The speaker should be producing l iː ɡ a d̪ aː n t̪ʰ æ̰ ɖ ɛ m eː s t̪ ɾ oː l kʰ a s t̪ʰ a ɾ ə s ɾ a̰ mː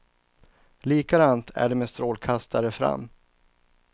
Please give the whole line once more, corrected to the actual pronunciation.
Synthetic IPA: l iː k a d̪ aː n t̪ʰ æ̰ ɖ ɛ m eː s t̪ ɾ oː l kʰ a s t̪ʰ a ɾ ə f ɾ a̰ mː